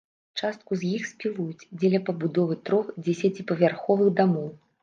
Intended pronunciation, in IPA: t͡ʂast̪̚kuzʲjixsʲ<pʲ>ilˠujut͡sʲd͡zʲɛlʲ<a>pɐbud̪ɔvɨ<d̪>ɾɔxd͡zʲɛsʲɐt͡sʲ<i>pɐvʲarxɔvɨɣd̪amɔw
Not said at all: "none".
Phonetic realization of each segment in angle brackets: pʲ, ɐ, t̪, i

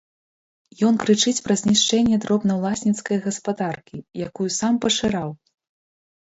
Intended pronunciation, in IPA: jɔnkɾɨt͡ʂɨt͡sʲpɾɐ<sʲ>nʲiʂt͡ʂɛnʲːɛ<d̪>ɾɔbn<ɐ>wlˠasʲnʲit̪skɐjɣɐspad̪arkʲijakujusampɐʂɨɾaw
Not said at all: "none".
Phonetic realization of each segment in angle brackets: zʲ, d̪, ɐ

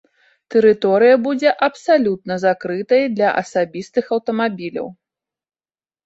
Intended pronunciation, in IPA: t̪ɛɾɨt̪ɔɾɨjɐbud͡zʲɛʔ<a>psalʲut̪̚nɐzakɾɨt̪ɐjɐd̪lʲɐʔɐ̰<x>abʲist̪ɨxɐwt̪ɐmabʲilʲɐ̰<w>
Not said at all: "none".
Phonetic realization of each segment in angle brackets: ɐ, s, w

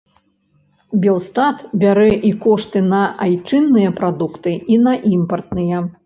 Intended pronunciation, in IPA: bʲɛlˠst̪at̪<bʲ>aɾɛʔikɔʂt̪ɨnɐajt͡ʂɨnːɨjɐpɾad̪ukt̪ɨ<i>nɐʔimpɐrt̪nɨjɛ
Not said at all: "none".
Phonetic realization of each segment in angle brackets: bʲ, i

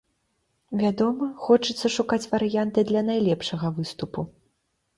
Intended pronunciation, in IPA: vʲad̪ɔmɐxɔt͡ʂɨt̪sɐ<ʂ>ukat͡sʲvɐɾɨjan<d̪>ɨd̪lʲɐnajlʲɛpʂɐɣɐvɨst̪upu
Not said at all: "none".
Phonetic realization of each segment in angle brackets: ʂ, t̪

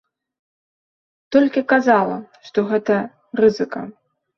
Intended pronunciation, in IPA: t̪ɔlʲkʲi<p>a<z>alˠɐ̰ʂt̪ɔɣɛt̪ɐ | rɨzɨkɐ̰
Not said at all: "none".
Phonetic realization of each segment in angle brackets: k, z

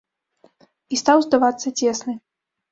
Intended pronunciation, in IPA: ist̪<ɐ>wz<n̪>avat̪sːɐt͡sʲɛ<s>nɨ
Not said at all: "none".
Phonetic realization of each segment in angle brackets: a, d̪, s

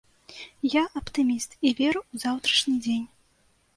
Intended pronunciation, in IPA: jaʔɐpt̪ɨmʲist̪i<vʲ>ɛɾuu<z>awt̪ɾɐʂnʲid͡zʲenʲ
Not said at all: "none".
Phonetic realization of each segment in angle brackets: vʲ, z

